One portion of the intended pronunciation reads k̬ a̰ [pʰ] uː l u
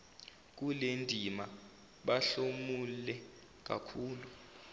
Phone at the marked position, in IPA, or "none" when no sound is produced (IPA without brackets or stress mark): kʰ